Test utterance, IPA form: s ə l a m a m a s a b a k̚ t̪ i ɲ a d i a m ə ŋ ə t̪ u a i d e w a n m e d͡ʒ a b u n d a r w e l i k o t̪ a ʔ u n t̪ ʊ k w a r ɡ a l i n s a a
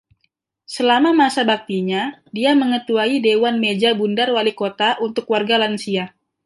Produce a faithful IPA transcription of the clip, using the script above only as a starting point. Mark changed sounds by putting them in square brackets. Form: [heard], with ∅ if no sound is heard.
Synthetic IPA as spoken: s ə l a m a m a s a b a k̚ t̪ i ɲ a d i a m ə ŋ ə t̪ u a i d e w a n m e d͡ʒ a b u n d a r w [a] l i k o t̪ a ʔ u n t̪ ʊ k w a r ɡ a l [a] n s [i] a